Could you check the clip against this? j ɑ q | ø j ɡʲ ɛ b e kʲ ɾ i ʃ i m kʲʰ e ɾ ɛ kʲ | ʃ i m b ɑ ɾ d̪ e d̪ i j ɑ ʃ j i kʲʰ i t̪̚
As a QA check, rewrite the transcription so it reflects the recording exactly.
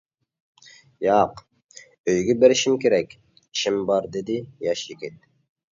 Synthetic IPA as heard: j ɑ q | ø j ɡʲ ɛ b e ɾ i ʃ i m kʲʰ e ɾ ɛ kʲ | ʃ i m b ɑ ɾ d̪ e d̪ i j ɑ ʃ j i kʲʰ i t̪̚

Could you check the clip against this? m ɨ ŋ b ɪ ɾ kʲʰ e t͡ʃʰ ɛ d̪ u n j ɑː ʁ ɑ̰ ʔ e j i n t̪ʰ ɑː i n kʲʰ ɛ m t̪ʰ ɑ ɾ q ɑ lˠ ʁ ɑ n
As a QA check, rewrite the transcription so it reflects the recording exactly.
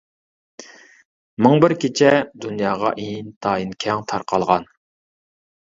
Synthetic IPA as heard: m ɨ ŋ b ɪ ɾ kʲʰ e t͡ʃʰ ɛ d̪ u n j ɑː ʁ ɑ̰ ʔ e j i n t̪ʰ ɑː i n kʲʰ ɛ ŋ t̪ʰ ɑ ɾ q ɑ lˠ ʁ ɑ n

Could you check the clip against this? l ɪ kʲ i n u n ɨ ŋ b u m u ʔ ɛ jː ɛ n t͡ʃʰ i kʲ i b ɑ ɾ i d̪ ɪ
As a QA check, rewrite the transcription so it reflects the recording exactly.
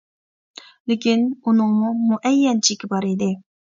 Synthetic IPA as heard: l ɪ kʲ i n u n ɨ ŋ m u m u ʔ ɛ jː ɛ n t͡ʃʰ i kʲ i b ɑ ɾ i d̪ ɪ

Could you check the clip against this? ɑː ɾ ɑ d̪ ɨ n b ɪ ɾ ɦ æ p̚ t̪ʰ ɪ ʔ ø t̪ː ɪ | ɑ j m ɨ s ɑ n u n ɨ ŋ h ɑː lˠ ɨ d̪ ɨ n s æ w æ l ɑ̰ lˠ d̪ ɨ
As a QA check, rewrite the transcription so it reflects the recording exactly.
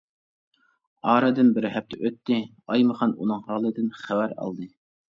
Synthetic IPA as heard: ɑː ɾ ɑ d̪ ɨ n b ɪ ɾ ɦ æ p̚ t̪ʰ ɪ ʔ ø t̪ː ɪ | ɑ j m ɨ χ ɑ n u n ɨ ŋ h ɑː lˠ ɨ d̪ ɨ n χ æ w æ ɾ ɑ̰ lˠ d̪ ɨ

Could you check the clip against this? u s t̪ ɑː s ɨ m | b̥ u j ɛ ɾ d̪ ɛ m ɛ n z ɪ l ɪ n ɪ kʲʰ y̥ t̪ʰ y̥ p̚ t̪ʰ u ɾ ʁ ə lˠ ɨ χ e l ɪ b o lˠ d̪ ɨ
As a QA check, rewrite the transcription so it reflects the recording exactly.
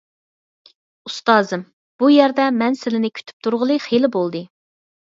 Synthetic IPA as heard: u s t̪ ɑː z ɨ m | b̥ u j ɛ ɾ d̪ ɛ m ɛ n s ɪ l ɪ n ɪ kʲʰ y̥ t̪ʰ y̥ p̚ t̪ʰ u ɾ ʁ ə lˠ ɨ χ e l ɪ b o lˠ d̪ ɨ

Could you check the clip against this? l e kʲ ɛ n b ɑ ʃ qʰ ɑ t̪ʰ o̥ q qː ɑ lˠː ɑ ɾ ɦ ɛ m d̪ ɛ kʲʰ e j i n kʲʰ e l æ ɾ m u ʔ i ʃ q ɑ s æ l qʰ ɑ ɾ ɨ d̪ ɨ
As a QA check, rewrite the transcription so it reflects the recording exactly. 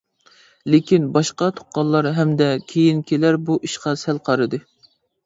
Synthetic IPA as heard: l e kʲ i n b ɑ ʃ q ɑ t̪ʰ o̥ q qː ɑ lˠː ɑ ɾ ɦ ɛ m d̪ ɛ kʲʰ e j i n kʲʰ e l æ ɾ b u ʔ i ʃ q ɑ s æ l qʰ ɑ ɾ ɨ d̪ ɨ

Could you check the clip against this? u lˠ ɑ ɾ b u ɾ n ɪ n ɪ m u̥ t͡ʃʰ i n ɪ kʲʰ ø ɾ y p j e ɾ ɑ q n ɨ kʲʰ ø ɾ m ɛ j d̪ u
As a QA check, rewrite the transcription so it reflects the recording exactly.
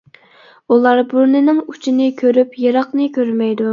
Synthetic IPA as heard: u lˠ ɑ ɾ b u ɾ n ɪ n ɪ ŋ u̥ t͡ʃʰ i n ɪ kʲʰ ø ɾ y p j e ɾ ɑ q n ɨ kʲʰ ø ɾ m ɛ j d̪ u

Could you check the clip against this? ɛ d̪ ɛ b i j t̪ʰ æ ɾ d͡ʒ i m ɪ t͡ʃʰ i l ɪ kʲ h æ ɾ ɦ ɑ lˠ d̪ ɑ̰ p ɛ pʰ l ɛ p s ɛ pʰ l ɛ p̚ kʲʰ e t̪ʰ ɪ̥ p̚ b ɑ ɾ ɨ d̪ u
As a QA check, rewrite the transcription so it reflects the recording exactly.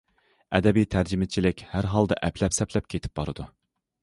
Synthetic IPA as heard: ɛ d̪ ɛ b i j t̪ʰ æ ɾ d͡ʒ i m ɪ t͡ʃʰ i l ɪ kʲ h æ ɾ ɦ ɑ lˠ d̪ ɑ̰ ʔ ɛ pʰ l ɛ p s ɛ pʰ l ɛ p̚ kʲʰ e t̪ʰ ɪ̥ p̚ b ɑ ɾ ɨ d̪ u

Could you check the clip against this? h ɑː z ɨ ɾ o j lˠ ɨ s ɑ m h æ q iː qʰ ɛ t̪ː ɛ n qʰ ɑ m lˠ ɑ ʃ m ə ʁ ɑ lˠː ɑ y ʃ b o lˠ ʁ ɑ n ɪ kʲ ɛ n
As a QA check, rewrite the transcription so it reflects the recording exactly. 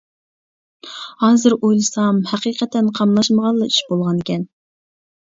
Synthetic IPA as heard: h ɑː z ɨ ɾ o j lˠ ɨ s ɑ m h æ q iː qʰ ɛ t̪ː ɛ n qʰ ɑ m lˠ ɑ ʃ m ə ʁ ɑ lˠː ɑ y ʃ b o lˠ ʁ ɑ n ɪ kʲ ɛ n

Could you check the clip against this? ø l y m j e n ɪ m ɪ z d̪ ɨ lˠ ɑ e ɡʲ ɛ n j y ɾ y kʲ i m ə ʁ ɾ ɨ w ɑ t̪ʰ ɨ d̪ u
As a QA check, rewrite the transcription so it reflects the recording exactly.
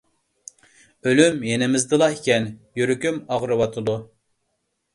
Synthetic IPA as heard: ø l y m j e n ɪ m ɪ z d̪ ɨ lˠ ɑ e kʲ ɛ n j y ɾ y kʲ y m ɑ ʁ ɾ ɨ w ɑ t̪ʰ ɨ d̪ u

